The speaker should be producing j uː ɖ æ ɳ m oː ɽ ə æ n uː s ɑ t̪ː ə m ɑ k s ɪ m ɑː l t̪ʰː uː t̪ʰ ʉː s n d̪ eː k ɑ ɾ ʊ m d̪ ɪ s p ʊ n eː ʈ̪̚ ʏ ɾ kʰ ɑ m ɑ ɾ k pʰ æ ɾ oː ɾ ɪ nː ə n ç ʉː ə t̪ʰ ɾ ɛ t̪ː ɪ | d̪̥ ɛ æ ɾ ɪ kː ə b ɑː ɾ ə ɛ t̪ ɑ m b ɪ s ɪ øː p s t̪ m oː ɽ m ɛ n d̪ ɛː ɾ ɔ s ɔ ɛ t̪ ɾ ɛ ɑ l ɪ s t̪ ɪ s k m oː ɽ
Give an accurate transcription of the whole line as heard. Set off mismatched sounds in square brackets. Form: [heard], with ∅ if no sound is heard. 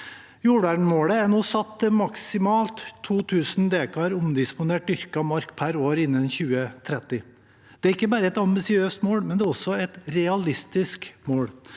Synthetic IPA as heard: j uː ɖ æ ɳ m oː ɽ ə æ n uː s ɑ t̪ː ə m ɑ k s ɪ m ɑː l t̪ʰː uː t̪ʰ ʉː s n d̪ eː k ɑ ɾ ʊ m d̪ ɪ s p ʊ n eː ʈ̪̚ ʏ ɾ [k] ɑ m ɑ ɾ k pʰ æ ɾ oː ɾ ɪ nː ə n ç ʉː ə t̪ʰ ɾ ɛ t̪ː ɪ | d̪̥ ɛ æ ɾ ɪ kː ə b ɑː ɾ ə ɛ t̪ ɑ m b ɪ s ɪ øː [∅] s t̪ m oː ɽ m ɛ n d̪ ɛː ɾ ɔ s ɔ ɛ t̪ ɾ ɛ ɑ l ɪ s t̪ ɪ s k m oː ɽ